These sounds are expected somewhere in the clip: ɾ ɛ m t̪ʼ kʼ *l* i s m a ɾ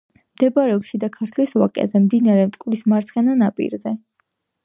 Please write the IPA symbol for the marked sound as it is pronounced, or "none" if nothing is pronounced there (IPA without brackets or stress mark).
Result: l